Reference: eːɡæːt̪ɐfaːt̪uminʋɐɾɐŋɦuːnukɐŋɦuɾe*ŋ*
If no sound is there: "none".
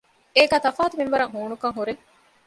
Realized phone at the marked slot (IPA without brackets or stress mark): ŋ